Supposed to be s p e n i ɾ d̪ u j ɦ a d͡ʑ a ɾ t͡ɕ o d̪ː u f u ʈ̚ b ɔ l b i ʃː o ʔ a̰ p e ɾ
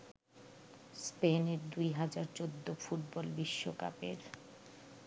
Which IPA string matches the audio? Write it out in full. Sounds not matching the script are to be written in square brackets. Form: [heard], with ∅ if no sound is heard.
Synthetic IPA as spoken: s p e n [e] ɾ d̪ u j ɦ a d͡ʑ a ɾ t͡ɕ o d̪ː [o] f u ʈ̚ b ɔ l b i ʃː o [k] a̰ p e ɾ